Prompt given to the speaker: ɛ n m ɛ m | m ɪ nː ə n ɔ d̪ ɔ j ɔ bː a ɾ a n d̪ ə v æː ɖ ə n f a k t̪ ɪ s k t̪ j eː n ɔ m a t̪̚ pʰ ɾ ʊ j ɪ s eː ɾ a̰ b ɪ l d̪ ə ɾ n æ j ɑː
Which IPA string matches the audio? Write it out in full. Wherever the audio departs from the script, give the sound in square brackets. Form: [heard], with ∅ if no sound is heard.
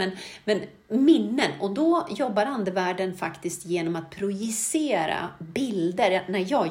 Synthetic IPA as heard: ɛ n m ɛ [n] | m ɪ nː ə n ɔ d̪ ɔ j ɔ bː a ɾ a n d̪ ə v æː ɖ ə n f a k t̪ ɪ s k t̪ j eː n ɔ m a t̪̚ pʰ ɾ ʊ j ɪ s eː ɾ a̰ b ɪ l d̪ ə ɾ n æ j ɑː